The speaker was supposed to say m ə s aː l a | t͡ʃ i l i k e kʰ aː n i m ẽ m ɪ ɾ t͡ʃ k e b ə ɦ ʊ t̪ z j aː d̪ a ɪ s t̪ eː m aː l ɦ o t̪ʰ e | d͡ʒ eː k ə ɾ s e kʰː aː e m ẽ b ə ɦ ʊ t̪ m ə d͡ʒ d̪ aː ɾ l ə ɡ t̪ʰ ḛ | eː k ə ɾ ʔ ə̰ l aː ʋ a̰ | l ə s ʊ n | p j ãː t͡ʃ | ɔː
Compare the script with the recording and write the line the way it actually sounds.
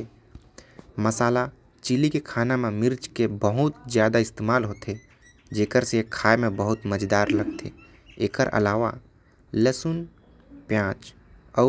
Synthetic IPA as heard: m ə s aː l a | t͡ʃ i l i k e kʰ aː n a m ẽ m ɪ ɾ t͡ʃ k e b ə ɦ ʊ t̪ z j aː d̪ a ɪ s t̪ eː m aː l ɦ o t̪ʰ e | d͡ʒ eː k ə ɾ s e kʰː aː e m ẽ b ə ɦ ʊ t̪ m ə d͡ʒ d̪ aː ɾ l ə ɡ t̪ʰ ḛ | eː k ə ɾ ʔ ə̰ l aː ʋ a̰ | l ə s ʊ n | p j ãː t͡ʃ | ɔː